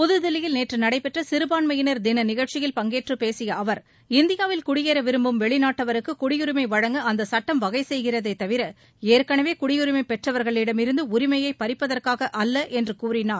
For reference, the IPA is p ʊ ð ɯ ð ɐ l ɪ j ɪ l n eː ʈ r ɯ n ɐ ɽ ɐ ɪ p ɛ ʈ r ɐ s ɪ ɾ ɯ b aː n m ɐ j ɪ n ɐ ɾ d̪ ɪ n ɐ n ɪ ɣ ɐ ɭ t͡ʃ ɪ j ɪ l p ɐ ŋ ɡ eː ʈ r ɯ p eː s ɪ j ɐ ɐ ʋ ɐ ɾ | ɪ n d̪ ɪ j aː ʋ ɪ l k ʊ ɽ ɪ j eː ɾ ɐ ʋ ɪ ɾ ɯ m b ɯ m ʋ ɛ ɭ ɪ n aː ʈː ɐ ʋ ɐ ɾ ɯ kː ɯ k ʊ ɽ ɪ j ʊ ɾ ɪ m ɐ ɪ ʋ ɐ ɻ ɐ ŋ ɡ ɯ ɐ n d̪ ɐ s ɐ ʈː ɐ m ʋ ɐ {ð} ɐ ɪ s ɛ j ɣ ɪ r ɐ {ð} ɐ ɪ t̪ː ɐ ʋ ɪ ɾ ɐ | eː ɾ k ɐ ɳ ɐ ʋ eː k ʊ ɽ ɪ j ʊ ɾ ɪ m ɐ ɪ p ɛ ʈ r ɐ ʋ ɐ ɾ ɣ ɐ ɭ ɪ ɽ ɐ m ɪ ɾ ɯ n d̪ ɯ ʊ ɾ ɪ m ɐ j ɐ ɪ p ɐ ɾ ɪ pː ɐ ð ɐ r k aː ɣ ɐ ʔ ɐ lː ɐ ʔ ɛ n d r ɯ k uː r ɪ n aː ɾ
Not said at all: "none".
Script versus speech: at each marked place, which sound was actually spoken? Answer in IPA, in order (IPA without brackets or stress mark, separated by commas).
ɣ, ð